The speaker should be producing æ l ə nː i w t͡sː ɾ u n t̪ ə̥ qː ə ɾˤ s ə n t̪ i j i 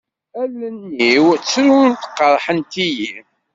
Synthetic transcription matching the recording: æ l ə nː i w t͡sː ɾ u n t̪ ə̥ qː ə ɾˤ ħ ə n t̪ i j i